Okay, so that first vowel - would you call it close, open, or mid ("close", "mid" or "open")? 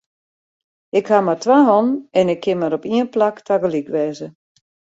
close